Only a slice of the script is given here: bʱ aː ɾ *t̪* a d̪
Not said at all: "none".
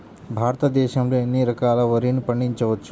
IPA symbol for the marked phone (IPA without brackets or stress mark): t̪